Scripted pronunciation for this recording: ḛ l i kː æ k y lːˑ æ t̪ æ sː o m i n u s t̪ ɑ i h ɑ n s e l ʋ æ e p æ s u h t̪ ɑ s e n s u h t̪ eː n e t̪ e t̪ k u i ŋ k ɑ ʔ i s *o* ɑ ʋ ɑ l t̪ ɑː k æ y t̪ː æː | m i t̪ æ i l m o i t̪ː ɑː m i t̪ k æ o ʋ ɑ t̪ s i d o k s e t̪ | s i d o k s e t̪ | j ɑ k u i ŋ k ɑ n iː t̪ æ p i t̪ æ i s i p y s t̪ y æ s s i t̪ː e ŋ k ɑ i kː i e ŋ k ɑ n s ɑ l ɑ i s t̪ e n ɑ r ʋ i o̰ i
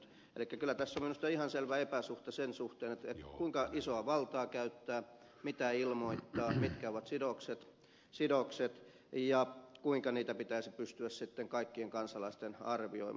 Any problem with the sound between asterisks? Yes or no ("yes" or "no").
no